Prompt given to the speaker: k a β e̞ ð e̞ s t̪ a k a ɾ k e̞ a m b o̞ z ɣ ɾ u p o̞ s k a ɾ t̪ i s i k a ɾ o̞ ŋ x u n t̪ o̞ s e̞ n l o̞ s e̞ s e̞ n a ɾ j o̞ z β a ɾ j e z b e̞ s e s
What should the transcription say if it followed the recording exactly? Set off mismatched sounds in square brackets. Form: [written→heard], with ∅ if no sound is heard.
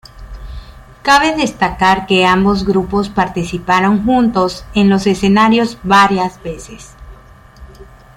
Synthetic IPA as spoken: k a β e̞ ð e̞ s t̪ a k a ɾ k e̞ a m b o̞ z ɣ ɾ u p o̞ s [k→p] a ɾ t̪ i s i [k→p] a ɾ o̞ ŋ x u n t̪ o̞ s e̞ n l o̞ s e̞ s e̞ n a ɾ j o̞ z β a ɾ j [e→a] z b e̞ s e s